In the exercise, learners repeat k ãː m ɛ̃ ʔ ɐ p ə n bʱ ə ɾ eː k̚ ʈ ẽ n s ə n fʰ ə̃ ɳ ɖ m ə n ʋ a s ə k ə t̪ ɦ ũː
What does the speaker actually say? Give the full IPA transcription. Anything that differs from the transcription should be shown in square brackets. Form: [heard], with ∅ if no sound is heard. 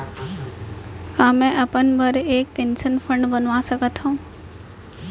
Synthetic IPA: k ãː m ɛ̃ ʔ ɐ p ə n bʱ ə ɾ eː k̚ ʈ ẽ n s ə n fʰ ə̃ ɳ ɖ [b] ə n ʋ a s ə k ə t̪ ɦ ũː